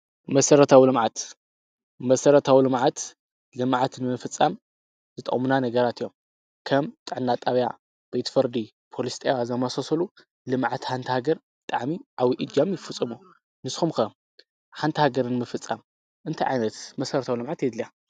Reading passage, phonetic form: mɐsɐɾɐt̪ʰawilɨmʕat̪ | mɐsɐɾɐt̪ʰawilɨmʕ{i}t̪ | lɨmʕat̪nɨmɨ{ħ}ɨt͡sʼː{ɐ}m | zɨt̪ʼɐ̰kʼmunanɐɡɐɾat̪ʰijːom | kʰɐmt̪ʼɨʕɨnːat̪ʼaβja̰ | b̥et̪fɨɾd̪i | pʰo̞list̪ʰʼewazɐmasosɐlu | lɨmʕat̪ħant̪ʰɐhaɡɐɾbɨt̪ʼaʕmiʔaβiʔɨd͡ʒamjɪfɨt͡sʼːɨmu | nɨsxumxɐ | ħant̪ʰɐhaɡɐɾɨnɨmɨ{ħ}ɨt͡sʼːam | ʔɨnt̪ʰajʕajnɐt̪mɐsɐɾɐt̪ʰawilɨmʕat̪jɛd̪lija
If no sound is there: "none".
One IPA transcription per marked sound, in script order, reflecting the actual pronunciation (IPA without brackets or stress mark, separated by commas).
a, f, a, f